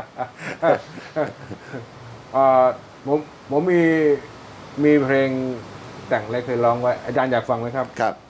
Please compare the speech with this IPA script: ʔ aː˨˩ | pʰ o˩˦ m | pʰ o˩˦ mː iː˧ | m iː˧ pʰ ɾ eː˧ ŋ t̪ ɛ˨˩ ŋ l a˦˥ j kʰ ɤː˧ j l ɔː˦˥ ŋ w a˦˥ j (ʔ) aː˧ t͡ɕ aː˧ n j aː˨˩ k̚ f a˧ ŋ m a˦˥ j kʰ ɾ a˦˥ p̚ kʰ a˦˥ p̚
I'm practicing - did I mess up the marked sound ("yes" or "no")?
no